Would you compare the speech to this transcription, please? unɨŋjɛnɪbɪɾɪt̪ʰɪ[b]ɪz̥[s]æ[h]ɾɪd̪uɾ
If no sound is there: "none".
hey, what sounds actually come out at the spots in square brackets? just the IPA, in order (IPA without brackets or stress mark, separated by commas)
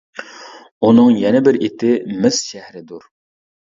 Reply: m, ʃ, h